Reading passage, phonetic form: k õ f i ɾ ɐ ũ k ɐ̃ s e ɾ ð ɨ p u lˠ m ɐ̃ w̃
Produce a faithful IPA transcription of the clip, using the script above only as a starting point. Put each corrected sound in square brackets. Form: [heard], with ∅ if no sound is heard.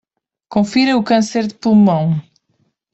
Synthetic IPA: k õ f i ɾ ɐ [u] k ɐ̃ s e ɾ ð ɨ p u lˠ m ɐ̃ w̃